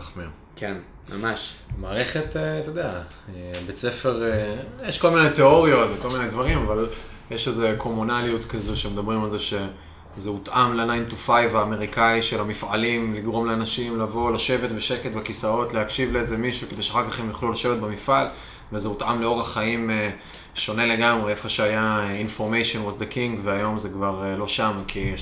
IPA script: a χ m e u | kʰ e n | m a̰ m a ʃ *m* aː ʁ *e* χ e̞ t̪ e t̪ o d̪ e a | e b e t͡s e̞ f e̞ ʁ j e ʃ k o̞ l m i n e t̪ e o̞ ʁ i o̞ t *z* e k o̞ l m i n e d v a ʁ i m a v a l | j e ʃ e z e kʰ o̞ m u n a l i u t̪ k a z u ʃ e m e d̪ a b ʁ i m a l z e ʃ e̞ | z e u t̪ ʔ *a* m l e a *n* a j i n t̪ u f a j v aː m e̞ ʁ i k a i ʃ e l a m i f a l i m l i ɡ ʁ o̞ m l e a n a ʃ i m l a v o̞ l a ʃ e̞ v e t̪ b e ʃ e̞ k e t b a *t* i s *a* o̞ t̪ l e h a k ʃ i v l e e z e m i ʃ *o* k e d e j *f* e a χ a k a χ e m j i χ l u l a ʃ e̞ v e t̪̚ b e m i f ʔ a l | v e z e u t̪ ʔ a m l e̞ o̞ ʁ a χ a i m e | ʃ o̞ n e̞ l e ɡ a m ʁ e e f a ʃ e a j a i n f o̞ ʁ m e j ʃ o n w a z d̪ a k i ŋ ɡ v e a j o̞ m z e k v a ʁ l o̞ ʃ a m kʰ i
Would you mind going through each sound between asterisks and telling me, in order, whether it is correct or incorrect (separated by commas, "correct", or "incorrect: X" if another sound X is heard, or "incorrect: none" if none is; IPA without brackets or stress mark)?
correct, correct, incorrect: v, correct, correct, incorrect: k, correct, incorrect: u, incorrect: ʃ